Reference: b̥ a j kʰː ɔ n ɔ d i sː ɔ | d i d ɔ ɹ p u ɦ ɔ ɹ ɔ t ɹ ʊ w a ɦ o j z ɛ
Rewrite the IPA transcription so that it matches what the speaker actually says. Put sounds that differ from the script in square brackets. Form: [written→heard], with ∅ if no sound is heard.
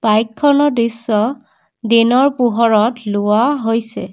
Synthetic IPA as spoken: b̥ a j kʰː ɔ n ɔ d i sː ɔ | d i [d→n] ɔ ɹ p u ɦ ɔ ɹ ɔ t [ɹ→l] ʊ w a ɦ o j [z→s] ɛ